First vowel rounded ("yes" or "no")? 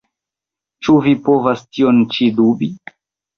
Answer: yes